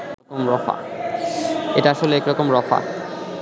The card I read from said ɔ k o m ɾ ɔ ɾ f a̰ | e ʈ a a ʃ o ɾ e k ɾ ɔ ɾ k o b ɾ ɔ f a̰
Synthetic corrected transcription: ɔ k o m ɾ ɔ f a̰ | e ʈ a a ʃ o l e k ɾ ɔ k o m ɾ ɔ f a̰